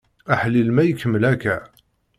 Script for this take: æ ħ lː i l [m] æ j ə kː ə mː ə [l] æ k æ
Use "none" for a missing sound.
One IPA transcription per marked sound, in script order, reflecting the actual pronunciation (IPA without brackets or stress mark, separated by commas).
m, l